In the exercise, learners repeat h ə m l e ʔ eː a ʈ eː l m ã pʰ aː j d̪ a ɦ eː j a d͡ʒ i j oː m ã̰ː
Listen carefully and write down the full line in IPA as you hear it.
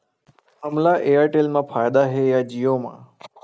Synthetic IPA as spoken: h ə m l a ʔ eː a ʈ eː l m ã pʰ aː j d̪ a ɦ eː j a d͡ʒ i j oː m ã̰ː

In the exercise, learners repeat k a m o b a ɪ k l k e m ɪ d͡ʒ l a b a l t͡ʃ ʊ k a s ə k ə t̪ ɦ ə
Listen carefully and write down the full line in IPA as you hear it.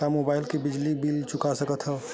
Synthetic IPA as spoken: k a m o b a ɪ l k e b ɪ d͡ʒ l i b i l t͡ʃ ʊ k a s ə k ə t̪ ɦ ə

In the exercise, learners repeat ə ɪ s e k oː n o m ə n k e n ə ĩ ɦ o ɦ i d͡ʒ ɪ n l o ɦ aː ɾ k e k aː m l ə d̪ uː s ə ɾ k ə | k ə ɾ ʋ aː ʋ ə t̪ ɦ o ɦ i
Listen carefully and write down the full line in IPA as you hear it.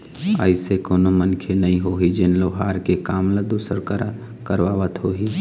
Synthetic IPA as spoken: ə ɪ s e k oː n o m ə n kʰ e n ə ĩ ɦ o ɦ i d͡ʒ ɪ n l o ɦ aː ɾ k e k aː m l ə d̪ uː s ə ɾ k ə | k ə ɾ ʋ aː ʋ ə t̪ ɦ o ɦ i

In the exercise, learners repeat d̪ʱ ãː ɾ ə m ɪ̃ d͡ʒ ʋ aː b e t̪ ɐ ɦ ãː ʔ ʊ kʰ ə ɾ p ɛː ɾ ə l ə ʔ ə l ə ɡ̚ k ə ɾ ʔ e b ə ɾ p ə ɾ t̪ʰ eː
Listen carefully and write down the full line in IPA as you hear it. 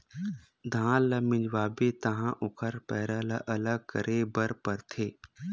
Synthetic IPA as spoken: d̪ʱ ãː l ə m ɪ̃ d͡ʒ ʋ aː b e t̪ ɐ ɦ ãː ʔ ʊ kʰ ə ɾ p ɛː ɾ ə l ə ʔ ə l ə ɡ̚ k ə ɾ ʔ e b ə ɾ p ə ɾ t̪ʰ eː

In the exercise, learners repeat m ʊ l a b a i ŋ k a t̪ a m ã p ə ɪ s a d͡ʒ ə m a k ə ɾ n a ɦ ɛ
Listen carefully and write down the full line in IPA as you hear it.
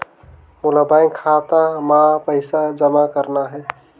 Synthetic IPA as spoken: m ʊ l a b a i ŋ kʰ a t̪ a m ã p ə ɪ s a d͡ʒ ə m a k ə ɾ n a ɦ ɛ

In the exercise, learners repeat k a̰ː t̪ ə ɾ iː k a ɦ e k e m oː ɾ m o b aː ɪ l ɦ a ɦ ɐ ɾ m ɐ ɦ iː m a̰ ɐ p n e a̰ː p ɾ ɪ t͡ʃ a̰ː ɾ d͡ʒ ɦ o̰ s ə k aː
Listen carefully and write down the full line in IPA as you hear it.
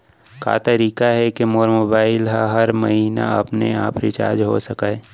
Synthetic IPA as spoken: k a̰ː t̪ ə ɾ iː k a ɦ ɛ k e m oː ɾ m o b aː ɪ l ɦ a ɦ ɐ ɾ m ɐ ɦ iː n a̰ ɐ p n e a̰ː p ɾ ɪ t͡ʃ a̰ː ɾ d͡ʒ ɦ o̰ s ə k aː

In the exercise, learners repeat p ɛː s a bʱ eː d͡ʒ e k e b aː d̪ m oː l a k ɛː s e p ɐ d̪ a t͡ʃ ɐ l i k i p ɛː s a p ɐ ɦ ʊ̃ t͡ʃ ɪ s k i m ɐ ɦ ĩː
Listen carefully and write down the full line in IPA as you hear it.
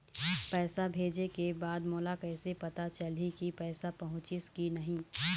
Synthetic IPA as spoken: p ɛː s a bʱ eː d͡ʒ e k e b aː d̪ m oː l a k ɛː s e p ɐ t̪ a t͡ʃ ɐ l i k i p ɛː s a p ɐ ɦ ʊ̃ t͡ʃ ɪ s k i n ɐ ɦ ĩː

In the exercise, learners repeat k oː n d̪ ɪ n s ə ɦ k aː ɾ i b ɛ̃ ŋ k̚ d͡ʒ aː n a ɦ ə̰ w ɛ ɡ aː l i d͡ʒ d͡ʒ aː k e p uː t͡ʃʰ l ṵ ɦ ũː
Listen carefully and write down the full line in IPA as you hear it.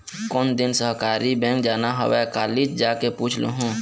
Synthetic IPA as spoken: k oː n d̪ ɪ n s ə ɦ k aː ɾ i b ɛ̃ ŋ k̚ d͡ʒ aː n a ɦ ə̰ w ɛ k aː l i d͡ʒ d͡ʒ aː k e p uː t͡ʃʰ l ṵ ɦ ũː

